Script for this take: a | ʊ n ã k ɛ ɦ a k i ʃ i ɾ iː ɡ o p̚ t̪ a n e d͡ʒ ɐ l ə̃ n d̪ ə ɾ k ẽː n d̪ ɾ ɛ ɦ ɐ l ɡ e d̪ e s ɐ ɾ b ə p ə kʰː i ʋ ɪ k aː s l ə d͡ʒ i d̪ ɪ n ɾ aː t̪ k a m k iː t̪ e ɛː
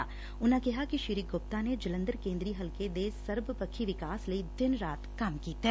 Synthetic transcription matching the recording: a | ʊ n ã k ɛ ɦ a k i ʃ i ɾ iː ɡ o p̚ t̪ a n e d͡ʒ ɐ l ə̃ n d̪ ə ɾ k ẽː n d̪ ɾ i ɦ ɐ l k e d̪ e s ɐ ɾ b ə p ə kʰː i ʋ ɪ k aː s l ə i d̪ ɪ n ɾ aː t̪ k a m k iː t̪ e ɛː

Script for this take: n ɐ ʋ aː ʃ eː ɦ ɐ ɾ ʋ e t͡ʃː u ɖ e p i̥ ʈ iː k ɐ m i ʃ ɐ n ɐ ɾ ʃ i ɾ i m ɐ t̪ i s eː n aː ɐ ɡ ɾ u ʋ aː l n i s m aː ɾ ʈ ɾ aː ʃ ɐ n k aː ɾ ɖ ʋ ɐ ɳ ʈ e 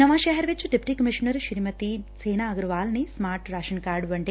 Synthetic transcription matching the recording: n ɐ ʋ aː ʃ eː ɦ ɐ ɾ ʋ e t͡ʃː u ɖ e p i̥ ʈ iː k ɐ m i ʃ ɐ n ɐ ɾ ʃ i ɾ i m ɐ t̪ i s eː n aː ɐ ɡ ɾ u ʋ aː l n i s m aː ɾ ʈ ɾ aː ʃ ɐ n k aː ɾ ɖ ʋ ɐ ɳ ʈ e

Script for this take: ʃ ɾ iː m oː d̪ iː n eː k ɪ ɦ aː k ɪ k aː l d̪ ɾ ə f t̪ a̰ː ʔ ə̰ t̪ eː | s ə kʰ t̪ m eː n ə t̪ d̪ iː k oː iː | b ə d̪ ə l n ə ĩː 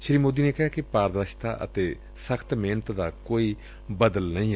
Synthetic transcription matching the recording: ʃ ɾ iː m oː d̪ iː n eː k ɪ ɦ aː k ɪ p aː ɾ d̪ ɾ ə ʃ t̪ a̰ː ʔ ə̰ t̪ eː | s ə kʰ t̪ m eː n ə t̪ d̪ aː k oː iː | b ə d̪ ə l n ə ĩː

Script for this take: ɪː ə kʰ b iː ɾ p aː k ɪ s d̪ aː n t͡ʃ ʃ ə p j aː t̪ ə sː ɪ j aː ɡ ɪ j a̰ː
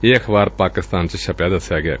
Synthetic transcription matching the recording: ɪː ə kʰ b aː ɾ p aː k ɪ s t̪ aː n t͡ʃ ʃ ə p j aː d̪ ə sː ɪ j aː ɡ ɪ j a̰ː

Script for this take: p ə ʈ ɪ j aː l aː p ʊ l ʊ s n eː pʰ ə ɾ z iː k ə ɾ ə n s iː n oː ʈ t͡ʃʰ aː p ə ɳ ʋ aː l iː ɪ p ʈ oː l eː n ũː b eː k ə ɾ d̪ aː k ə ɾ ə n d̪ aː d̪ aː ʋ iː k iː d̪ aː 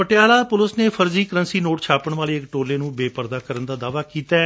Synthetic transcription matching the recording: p ə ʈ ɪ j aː l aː p ʊ l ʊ s n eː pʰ ə ɾ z iː k ə ɾ ə n s iː n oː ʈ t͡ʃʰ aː p ə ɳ ʋ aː l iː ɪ k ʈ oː l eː n ũː b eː p ə ɾ d̪ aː k ə ɾ ə n d̪ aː d̪ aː ʋ aː k iː t̪ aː

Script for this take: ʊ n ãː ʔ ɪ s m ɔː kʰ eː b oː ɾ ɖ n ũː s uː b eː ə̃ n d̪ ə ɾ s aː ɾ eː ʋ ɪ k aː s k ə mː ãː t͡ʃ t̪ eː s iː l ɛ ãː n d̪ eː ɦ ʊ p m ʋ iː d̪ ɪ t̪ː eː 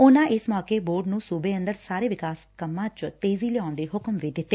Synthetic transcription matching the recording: ʊ n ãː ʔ ɪ s m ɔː k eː b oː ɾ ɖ n ũː s uː b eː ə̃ n d̪ ə ɾ s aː ɾ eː ʋ ɪ k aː s k ə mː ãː t͡ʃ t̪ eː z iː l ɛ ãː n d̪ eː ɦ ʊ k m ʋ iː d̪ ɪ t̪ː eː

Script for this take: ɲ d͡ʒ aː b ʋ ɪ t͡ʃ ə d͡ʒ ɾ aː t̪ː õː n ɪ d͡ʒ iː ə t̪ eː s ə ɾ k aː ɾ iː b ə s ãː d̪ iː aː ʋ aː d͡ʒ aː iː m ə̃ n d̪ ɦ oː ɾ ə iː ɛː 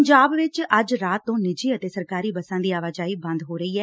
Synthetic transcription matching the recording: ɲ d͡ʒ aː b ʋ ɪ t͡ʃ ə d͡ʒ ɾ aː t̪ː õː n ɪ d͡ʒ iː ə t̪ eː s ə ɾ k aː ɾ iː b ə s ãː d̪ iː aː ʋ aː d͡ʒ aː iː b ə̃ n d̪ ɦ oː ɾ ə iː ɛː

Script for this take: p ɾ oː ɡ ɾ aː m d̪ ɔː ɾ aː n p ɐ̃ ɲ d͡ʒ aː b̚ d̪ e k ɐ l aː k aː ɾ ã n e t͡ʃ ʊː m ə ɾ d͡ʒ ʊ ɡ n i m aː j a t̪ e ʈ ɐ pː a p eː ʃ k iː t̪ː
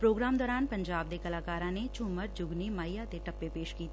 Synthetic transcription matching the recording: p ɾ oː ɡ ɾ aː m d̪ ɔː ɾ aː n p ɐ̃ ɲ d͡ʒ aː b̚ d̪ e k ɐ l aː k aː ɾ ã n e t͡ʃ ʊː m ə ɾ d͡ʒ ʊ ɡ n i m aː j a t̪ e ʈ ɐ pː e p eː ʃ k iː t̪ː

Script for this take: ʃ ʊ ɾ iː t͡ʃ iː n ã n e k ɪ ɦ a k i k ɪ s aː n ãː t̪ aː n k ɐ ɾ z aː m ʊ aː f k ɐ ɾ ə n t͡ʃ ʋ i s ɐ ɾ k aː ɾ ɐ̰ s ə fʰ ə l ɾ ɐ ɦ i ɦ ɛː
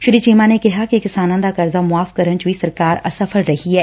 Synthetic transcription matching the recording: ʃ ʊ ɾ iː t͡ʃ iː m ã n e k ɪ ɦ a k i k ɪ s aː n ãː d̪ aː k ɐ ɾ z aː m ʊ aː f k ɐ ɾ ə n t͡ʃ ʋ i s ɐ ɾ k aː ɾ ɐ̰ s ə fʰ ə l ɾ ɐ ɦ i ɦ ɛː

